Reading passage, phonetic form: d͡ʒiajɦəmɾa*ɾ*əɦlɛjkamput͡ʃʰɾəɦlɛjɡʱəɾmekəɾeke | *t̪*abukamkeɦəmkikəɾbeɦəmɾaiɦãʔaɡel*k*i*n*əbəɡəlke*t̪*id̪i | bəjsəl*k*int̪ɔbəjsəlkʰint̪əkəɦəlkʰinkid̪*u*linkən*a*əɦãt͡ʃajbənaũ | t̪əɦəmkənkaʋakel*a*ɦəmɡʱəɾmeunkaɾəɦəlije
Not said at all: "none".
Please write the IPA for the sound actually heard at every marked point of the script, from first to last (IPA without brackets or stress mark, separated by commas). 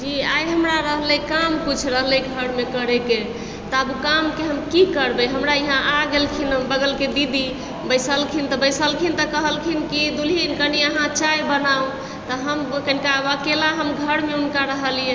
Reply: ɾ, t̪, kʰ, n, d̪, kʰ, u, i, a